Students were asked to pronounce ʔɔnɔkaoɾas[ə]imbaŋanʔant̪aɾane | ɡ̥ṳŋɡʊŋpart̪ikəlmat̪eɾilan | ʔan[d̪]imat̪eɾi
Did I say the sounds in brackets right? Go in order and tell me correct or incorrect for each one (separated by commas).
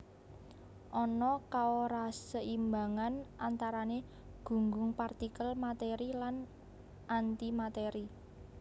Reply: correct, incorrect